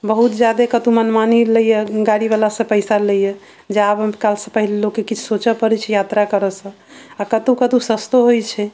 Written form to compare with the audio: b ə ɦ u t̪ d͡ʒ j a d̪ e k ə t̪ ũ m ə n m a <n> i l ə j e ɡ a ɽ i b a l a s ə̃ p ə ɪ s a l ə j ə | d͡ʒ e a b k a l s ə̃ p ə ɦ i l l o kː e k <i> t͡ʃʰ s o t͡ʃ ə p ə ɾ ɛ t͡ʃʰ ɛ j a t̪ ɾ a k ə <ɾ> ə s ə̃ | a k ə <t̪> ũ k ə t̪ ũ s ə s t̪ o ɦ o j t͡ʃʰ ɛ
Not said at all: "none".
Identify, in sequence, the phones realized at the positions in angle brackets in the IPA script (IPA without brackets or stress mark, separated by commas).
n, i, ɾ, t̪